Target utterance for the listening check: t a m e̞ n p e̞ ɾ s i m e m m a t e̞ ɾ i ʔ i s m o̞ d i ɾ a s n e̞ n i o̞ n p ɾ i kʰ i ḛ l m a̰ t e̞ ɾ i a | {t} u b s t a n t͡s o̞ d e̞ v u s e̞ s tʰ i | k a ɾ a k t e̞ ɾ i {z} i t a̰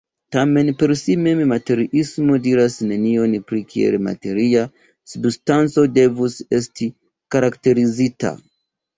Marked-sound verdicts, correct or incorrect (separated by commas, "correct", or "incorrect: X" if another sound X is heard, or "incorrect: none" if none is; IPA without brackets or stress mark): incorrect: s, correct